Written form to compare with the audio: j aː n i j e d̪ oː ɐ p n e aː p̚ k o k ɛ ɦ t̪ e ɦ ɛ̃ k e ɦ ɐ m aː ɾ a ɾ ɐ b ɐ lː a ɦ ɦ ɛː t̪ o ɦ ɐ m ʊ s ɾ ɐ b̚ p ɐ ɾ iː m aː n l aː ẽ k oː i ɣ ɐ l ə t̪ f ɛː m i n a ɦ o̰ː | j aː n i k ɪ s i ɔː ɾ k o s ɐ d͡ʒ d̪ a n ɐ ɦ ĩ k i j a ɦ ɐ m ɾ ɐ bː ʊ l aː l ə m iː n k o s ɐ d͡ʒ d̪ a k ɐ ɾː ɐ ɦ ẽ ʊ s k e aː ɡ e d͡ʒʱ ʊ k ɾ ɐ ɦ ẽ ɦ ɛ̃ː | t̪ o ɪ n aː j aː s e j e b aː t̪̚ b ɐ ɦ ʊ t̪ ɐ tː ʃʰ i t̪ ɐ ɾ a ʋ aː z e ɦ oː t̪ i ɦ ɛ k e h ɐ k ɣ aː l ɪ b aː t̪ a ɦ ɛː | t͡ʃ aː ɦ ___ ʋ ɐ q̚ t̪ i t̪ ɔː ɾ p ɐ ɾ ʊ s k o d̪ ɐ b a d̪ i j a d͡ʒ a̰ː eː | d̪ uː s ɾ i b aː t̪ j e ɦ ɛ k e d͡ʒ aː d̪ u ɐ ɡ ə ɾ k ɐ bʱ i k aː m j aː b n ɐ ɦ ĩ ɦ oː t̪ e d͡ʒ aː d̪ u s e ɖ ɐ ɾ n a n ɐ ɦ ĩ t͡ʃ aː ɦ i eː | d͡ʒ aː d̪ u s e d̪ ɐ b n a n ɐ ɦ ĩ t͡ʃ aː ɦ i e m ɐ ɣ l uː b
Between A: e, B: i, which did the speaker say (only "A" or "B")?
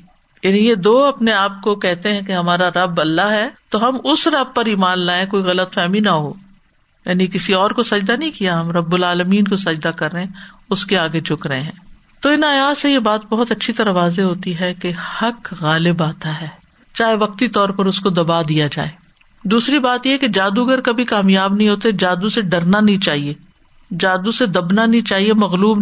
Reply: A